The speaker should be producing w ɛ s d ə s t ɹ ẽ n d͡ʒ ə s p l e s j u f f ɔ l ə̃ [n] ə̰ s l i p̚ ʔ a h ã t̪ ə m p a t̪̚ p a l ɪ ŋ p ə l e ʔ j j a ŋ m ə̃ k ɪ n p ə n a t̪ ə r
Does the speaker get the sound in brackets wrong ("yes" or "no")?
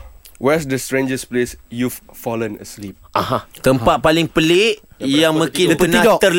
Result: no